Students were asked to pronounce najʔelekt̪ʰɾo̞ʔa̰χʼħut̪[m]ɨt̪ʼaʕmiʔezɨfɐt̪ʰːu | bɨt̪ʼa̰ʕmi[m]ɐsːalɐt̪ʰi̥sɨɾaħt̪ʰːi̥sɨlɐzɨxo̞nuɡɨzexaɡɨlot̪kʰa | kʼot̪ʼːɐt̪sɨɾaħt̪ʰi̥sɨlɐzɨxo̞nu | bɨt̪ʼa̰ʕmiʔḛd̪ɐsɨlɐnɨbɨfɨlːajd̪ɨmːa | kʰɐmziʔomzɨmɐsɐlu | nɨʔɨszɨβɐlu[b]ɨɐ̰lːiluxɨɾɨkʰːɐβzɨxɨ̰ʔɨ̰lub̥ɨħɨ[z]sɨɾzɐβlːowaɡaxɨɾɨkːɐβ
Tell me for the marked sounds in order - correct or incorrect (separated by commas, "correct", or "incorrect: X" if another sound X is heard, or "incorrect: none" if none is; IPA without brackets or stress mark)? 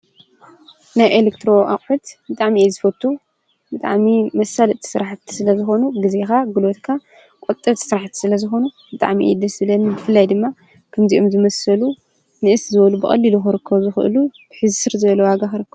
incorrect: b, correct, correct, correct